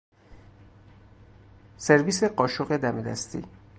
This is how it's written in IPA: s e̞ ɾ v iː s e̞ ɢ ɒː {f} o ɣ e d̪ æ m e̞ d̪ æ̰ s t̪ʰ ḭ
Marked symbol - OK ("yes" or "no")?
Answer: no